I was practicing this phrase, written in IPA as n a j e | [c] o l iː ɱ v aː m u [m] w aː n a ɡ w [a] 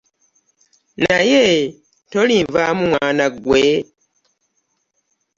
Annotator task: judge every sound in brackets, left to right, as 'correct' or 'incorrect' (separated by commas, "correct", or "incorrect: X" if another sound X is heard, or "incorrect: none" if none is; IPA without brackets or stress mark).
incorrect: t, correct, incorrect: e